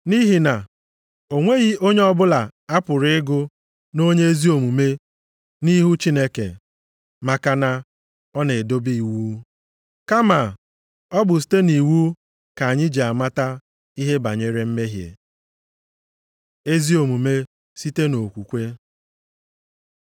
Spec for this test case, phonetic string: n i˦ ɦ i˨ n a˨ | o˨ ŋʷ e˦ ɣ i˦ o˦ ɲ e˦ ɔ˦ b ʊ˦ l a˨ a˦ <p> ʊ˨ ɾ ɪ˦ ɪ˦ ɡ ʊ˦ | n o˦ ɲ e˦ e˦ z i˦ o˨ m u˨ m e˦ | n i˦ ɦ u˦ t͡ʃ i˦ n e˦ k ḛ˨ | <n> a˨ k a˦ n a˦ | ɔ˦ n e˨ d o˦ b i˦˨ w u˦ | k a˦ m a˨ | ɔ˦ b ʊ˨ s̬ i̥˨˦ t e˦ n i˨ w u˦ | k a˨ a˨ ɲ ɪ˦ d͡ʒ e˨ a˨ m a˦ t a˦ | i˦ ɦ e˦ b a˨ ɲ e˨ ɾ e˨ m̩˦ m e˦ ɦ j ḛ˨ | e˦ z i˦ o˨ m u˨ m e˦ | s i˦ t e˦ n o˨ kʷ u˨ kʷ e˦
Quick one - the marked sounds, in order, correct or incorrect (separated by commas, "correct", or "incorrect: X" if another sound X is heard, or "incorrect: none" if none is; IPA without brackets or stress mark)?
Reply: correct, incorrect: m